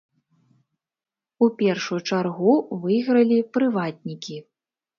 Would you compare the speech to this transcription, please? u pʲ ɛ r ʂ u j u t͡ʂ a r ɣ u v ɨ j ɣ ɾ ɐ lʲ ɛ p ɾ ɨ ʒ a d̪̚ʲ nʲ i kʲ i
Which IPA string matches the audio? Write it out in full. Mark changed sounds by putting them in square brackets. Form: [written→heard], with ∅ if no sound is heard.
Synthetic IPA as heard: u pʲ ɛ r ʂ u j u t͡ʂ a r ɣ u v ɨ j ɣ ɾ ɐ lʲ [ɛ→i] p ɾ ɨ [ʒ→v] a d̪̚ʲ nʲ i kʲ i